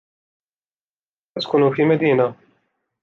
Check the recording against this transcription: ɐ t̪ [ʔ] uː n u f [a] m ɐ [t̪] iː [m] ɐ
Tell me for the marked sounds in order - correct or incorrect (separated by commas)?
incorrect, incorrect, incorrect, incorrect